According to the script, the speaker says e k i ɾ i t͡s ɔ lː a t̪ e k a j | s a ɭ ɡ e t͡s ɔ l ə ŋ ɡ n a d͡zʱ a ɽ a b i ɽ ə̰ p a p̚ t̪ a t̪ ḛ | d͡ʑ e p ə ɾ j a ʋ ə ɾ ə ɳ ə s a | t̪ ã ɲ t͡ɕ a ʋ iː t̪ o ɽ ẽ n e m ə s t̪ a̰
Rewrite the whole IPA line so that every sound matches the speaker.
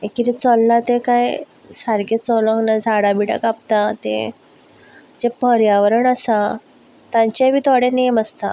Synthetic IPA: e k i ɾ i t͡s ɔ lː a t̪ e k a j | s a ɾ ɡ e t͡s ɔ l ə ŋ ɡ n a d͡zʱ a ɽ a b i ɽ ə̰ k a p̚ t̪ a t̪ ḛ | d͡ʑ e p ə ɾ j a ʋ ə ɾ ə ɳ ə s a | t̪ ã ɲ t͡ɕ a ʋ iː t̪ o ɽ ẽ n e m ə s t̪ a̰